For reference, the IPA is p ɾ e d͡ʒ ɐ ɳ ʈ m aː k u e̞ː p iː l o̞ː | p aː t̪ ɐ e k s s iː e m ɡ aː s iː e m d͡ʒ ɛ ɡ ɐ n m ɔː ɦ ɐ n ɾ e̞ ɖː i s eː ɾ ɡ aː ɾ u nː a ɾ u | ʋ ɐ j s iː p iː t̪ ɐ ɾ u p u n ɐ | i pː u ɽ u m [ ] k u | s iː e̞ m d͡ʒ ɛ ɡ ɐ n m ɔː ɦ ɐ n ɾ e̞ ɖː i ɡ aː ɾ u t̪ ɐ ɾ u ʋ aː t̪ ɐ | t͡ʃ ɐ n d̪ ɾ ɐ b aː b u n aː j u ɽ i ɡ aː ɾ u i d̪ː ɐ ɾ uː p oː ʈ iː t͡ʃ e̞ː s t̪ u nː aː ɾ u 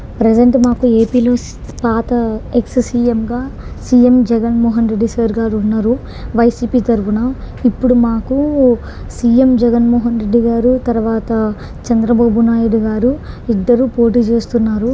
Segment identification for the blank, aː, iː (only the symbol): aː